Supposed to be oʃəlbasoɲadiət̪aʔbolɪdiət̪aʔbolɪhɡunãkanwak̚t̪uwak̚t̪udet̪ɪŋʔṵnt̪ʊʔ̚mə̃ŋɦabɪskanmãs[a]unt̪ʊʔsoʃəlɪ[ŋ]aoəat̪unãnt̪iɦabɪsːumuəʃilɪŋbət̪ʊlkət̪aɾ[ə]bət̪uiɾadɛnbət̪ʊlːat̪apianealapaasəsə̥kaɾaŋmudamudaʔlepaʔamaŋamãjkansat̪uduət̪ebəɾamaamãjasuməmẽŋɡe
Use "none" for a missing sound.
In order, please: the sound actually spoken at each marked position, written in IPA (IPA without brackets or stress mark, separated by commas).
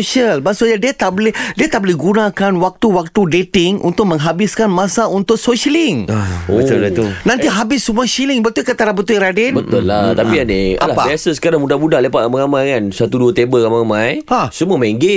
a, ŋ, a